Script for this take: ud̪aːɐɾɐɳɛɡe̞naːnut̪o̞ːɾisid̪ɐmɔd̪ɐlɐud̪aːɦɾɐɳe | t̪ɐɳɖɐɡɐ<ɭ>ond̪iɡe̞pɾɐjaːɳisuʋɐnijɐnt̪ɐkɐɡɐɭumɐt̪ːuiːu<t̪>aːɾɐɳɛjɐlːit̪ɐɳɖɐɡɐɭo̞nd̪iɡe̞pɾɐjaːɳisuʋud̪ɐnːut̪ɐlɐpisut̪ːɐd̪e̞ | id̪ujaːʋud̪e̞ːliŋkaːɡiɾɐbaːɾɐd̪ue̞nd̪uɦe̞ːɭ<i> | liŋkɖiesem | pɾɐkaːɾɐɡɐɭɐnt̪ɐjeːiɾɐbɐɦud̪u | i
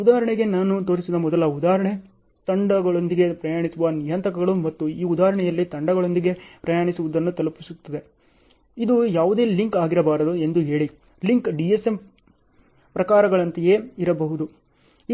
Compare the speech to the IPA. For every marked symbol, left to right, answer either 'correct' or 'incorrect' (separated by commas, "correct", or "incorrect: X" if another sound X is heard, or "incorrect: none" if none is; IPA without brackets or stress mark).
correct, incorrect: d̪, correct